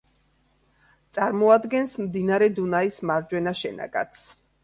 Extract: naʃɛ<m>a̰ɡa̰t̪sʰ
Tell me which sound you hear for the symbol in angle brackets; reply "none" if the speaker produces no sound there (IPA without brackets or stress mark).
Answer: n